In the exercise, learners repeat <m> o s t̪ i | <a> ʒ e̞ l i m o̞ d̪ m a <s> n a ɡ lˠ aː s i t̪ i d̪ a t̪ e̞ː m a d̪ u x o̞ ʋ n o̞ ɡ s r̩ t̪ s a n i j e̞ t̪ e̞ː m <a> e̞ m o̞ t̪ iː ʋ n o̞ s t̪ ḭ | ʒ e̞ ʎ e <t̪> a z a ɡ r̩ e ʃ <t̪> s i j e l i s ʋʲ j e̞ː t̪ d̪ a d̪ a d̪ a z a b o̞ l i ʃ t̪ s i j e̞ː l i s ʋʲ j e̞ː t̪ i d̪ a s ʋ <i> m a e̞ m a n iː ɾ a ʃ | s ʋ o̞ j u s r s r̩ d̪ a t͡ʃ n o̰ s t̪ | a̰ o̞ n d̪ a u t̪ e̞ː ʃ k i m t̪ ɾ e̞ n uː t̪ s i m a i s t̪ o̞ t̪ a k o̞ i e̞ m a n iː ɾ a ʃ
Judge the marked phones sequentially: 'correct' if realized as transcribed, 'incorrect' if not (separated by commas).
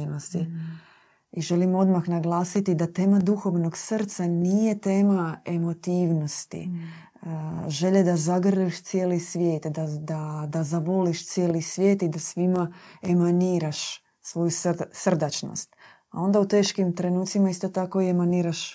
incorrect, incorrect, incorrect, correct, incorrect, correct, correct